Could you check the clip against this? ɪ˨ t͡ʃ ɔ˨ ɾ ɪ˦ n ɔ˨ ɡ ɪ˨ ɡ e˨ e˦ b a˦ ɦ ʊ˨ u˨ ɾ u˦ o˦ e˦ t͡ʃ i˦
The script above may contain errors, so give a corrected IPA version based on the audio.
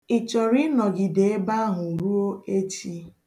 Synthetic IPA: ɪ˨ t͡ʃ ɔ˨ ɾ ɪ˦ n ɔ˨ ɡ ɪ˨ d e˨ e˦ b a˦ ɦ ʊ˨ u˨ ɾ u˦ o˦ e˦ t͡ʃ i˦